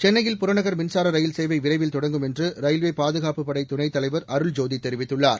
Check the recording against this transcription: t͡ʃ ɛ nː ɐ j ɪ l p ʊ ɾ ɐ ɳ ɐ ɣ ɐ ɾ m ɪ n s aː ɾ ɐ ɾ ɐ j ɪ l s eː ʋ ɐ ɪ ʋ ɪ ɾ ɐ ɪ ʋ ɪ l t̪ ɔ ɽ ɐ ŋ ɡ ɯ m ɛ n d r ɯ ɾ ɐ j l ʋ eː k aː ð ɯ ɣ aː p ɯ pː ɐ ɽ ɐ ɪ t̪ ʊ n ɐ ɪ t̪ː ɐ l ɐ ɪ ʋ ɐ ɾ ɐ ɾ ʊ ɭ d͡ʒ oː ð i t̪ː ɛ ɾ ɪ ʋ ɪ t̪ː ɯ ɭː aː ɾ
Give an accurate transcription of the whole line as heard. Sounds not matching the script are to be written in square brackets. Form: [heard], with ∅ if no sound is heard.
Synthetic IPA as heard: t͡ʃ ɛ nː ɐ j ɪ l p ʊ ɾ ɐ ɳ ɐ ɣ ɐ ɾ m ɪ n s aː ɾ ɐ ɾ ɐ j ɪ l s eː ʋ ɐ ɪ ʋ ɪ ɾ ɐ ɪ ʋ ɪ l t̪ ɔ ɽ ɐ ŋ ɡ ɯ m ɛ n d r ɯ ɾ ɐ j l ʋ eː [p] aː ð ɯ ɣ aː p ɯ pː ɐ ɽ ɐ ɪ t̪ ʊ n ɐ ɪ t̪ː ɐ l ɐ ɪ ʋ ɐ ɾ ɐ ɾ [ɯ] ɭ d͡ʒ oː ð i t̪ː ɛ ɾ ɪ ʋ ɪ t̪ː ɯ ɭː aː ɾ